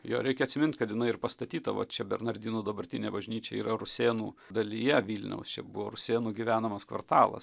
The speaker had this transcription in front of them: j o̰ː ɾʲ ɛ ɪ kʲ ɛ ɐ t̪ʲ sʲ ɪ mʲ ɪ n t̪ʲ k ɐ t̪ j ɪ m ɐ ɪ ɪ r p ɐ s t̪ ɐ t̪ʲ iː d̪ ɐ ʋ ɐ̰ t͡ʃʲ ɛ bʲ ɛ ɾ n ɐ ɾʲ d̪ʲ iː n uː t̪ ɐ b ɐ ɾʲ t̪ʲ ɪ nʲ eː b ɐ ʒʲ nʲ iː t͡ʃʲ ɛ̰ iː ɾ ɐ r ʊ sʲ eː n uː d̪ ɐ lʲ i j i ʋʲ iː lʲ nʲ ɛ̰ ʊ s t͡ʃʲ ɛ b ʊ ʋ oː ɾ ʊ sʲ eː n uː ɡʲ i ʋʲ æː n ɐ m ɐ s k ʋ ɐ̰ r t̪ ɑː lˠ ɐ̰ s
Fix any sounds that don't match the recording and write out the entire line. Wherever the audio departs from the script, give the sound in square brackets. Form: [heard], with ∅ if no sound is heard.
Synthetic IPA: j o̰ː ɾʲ ɛ ɪ kʲ ɛ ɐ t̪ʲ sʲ ɪ mʲ ɪ n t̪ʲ k ɐ t̪ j ɪ [n] ɐ ɪ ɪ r p ɐ s t̪ ɐ t̪ʲ iː [t̪] ɐ ʋ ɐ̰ t͡ʃʲ ɛ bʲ ɛ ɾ n ɐ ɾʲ d̪ʲ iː n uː [d̪] ɐ b ɐ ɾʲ t̪ʲ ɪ nʲ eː b ɐ ʒʲ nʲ iː t͡ʃʲ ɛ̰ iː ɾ ɐ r ʊ sʲ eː n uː d̪ ɐ lʲ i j [ɛ] ʋʲ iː lʲ nʲ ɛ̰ ʊ s t͡ʃʲ ɛ b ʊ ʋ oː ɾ ʊ sʲ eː n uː ɡʲ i ʋʲ æː n ɐ m ɐ s k ʋ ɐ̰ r t̪ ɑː lˠ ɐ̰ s